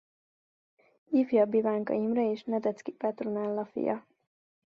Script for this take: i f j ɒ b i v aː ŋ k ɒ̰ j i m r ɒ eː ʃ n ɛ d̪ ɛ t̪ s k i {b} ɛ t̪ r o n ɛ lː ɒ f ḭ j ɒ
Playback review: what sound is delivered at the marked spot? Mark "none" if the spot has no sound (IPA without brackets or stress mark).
p